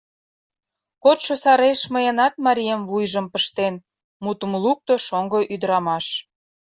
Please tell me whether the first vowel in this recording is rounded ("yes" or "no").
yes